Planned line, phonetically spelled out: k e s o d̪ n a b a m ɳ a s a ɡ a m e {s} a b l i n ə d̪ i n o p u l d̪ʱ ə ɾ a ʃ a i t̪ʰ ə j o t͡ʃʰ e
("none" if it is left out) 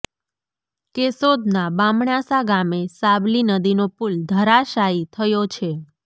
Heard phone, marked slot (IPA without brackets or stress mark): s